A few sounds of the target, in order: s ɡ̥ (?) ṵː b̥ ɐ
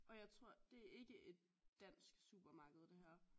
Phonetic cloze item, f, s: s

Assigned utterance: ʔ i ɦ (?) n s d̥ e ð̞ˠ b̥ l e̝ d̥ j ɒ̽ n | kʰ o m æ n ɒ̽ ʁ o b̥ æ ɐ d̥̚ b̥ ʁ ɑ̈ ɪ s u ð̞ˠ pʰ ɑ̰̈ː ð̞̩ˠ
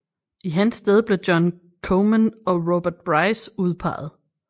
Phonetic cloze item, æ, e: æ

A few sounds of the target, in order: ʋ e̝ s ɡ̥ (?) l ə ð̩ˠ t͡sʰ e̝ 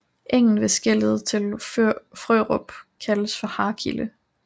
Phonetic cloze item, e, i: e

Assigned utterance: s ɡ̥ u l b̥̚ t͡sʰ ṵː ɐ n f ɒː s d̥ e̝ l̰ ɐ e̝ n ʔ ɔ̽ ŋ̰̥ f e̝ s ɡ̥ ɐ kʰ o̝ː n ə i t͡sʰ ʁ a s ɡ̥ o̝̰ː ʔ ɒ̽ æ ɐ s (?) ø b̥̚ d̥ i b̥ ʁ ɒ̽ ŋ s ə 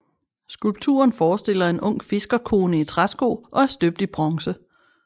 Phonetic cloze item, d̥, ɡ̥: d̥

